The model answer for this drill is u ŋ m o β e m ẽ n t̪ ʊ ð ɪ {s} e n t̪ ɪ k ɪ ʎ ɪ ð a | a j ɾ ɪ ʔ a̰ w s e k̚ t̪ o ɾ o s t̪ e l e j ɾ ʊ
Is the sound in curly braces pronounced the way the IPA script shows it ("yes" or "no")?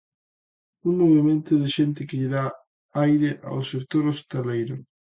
no